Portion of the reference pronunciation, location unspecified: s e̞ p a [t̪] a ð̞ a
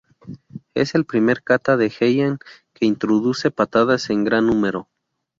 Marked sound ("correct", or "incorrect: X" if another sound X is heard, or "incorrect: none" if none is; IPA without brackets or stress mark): correct